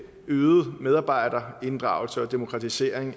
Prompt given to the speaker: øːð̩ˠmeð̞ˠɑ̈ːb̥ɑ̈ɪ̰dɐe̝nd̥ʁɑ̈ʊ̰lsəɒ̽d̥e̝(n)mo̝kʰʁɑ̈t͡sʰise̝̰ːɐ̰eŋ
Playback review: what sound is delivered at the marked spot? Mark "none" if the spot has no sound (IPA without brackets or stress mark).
none